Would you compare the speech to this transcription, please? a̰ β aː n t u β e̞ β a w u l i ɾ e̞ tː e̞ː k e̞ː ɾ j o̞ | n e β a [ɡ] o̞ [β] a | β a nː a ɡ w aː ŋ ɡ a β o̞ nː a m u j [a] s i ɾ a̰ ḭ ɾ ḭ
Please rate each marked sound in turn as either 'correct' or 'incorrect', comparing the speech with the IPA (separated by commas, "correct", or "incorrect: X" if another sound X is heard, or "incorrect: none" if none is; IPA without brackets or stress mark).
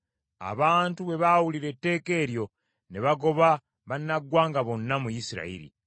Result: correct, correct, incorrect: i